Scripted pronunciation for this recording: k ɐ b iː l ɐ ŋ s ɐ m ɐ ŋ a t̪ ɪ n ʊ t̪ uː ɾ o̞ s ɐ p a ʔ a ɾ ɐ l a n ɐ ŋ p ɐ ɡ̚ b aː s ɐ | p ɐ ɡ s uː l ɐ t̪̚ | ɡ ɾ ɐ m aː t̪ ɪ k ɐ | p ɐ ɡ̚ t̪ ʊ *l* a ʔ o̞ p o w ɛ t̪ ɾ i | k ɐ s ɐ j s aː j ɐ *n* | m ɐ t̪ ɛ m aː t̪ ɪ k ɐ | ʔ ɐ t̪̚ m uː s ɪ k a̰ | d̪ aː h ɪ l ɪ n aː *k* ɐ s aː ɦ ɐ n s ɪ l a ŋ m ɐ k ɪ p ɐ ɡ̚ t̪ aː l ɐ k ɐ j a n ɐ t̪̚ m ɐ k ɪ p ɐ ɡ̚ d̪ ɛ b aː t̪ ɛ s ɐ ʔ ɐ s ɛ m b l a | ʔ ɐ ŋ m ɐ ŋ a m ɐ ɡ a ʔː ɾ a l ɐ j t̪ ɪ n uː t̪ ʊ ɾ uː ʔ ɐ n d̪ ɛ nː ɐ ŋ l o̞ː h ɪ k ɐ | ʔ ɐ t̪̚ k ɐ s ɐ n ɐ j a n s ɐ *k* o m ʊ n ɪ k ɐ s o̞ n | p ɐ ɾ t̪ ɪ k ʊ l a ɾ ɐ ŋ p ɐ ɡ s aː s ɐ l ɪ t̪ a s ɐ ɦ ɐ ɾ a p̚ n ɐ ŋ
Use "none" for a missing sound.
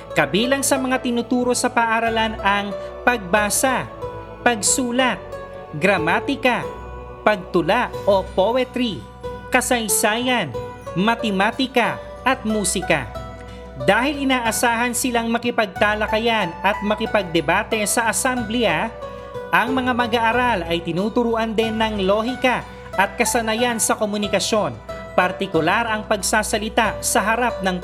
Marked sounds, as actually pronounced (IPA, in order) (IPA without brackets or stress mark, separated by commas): l, n, ʔ, k